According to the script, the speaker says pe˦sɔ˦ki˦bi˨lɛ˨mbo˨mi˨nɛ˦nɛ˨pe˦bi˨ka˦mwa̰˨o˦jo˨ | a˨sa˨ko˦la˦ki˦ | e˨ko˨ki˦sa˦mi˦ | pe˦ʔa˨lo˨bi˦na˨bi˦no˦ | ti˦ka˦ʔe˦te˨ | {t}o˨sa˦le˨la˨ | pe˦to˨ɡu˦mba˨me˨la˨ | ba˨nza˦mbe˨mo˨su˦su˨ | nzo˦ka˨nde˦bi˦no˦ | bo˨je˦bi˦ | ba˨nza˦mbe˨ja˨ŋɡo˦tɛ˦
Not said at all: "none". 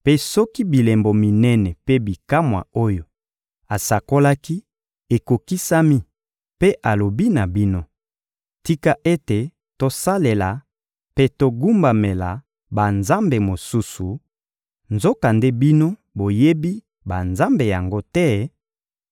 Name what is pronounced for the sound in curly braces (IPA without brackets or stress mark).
t